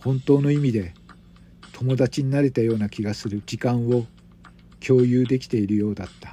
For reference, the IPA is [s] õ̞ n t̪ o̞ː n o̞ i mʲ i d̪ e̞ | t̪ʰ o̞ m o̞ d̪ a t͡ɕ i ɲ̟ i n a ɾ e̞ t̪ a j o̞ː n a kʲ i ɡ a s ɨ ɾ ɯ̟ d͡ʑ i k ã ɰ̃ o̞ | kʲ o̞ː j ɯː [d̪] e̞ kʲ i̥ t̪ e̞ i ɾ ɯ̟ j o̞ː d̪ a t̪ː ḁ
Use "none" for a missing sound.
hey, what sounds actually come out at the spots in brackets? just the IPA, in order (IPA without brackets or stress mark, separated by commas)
h, d̪